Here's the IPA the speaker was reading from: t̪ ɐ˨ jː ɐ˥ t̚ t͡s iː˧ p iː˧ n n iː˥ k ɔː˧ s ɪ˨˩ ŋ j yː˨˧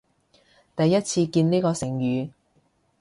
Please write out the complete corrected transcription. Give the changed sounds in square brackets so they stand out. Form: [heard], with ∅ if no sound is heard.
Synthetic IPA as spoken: t̪ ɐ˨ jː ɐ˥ t̚ [t͡sʰ] iː˧ [k] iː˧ n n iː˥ k ɔː˧ s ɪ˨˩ ŋ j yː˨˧

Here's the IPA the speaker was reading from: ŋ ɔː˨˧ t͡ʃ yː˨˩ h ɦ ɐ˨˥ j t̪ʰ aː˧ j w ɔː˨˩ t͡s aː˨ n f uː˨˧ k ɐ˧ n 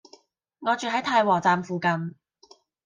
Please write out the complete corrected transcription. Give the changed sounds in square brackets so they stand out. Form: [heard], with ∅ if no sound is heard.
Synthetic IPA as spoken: ŋ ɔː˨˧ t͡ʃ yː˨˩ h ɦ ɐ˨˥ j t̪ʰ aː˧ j w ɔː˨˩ t͡s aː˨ [m] f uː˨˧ k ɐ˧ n

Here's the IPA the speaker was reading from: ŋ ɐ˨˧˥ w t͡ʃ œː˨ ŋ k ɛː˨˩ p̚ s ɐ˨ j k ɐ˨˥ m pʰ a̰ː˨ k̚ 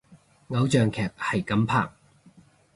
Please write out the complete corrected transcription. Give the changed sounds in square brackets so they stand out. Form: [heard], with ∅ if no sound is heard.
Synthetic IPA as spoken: ŋ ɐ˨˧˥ w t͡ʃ œː˨ ŋ [kʰ] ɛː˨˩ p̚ [h] ɐ˨ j k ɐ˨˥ m pʰ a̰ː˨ k̚

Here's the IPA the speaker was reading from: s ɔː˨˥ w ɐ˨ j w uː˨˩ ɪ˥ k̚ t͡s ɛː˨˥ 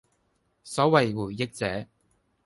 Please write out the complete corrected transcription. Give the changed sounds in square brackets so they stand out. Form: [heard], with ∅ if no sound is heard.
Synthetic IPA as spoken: s ɔː˨˥ w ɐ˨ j w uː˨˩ ɪ˥ k̚ t͡s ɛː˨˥

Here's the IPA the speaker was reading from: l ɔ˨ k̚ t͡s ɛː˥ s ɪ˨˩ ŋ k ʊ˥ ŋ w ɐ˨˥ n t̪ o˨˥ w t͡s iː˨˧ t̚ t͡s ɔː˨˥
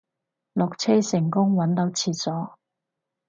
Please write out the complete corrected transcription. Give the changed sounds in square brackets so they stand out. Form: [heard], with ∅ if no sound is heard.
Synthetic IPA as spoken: l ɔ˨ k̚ [t͡sʰ] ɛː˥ s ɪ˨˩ ŋ k ʊ˥ ŋ w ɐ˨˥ n t̪ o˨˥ w [t͡sʰ] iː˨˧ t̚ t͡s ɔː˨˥

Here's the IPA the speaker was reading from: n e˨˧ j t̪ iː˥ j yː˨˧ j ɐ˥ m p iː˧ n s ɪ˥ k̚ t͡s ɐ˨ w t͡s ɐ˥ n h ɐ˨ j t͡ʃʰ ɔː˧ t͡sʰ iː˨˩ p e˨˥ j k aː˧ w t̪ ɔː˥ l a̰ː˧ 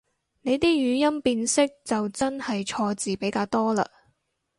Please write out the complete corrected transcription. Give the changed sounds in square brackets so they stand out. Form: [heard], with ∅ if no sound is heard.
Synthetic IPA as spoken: n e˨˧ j t̪ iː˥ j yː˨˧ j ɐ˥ m p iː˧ n s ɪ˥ k̚ t͡s ɐ˨ w t͡s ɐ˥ n h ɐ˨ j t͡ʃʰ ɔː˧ [t͡s] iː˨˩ p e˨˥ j k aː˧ w t̪ ɔː˥ l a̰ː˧

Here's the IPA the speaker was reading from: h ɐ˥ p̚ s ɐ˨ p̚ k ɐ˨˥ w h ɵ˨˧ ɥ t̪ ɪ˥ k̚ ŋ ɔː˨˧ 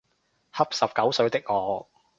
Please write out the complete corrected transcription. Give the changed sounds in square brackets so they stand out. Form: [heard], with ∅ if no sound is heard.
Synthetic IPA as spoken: h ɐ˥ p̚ s ɐ˨ p̚ k ɐ˨˥ w [s] ɵ˨˧ ɥ t̪ ɪ˥ k̚ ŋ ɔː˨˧

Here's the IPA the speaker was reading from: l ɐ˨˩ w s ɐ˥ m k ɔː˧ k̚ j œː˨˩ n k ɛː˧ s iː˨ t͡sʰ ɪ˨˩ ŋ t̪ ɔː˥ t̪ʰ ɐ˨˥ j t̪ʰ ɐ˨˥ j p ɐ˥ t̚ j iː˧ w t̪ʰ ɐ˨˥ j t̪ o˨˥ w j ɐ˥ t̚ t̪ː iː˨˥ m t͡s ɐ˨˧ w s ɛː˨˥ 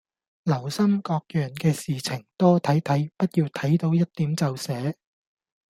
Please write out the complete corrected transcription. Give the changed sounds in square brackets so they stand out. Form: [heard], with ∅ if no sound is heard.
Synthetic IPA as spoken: l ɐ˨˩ w s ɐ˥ m k ɔː˧ k̚ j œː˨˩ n k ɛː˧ s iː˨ t͡sʰ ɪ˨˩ ŋ t̪ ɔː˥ t̪ʰ ɐ˨˥ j t̪ʰ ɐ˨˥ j p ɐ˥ t̚ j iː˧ w t̪ʰ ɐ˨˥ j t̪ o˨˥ w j ɐ˥ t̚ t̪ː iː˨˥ m t͡s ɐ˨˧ w s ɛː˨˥

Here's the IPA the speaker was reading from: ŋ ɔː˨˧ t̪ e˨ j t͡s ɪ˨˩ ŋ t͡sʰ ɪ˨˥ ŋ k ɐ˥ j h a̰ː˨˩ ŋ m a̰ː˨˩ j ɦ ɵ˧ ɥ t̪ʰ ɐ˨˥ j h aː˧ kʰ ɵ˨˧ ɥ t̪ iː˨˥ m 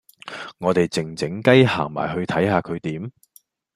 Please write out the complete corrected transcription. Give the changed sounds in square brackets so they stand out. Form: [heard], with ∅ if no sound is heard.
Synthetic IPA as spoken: ŋ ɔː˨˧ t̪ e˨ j t͡s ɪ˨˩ ŋ [t͡s] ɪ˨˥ ŋ k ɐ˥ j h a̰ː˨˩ ŋ m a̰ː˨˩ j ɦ ɵ˧ ɥ t̪ʰ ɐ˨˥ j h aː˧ kʰ ɵ˨˧ ɥ t̪ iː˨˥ m

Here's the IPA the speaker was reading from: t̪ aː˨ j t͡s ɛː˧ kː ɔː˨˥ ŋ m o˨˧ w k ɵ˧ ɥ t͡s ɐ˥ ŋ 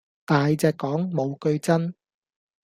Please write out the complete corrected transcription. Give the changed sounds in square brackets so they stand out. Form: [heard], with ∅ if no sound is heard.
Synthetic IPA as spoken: t̪ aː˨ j t͡s ɛː˧ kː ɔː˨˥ ŋ m o˨˧ w k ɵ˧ ɥ t͡s ɐ˥ [n]

